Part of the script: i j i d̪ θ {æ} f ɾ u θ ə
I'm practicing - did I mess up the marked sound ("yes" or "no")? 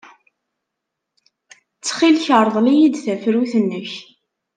no